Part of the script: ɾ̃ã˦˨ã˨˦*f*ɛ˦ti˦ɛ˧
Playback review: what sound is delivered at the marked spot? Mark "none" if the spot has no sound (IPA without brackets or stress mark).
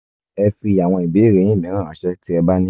ʃ